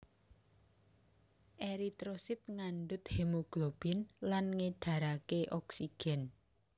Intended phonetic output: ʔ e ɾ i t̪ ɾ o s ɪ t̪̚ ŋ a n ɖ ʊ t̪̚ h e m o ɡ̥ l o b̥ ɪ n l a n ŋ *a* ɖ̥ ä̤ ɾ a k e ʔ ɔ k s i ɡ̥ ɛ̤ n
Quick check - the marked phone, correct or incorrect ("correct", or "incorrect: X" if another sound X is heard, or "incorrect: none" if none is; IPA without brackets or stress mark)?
incorrect: e